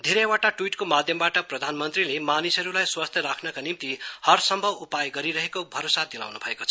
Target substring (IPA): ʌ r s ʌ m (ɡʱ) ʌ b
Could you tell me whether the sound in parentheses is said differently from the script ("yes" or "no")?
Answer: yes